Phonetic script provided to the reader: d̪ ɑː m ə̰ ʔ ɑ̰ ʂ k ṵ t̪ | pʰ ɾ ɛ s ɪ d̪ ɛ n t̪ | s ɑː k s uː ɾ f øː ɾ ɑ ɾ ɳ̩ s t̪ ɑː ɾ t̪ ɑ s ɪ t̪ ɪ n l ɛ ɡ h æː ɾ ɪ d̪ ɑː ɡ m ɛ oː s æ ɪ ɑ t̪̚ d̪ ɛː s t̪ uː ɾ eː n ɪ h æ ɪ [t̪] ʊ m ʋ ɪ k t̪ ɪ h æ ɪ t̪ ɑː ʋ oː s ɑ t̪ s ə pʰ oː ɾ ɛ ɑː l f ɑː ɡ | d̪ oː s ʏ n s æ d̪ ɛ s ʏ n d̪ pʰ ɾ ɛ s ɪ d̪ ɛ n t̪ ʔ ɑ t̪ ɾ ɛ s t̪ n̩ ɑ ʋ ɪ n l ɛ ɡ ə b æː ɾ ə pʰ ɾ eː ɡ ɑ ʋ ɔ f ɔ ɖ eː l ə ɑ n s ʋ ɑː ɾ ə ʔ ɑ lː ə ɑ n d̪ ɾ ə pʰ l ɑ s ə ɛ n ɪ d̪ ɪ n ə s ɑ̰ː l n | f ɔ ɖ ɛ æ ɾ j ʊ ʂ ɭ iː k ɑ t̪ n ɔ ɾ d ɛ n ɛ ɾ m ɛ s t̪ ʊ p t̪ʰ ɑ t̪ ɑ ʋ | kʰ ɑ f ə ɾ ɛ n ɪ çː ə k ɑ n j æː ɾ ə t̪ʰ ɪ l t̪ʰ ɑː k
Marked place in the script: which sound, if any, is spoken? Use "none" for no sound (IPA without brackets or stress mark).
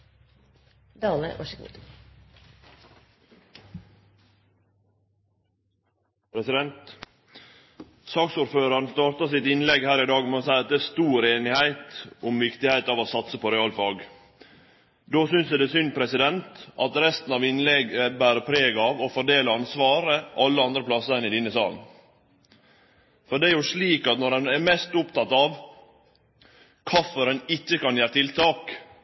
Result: t̪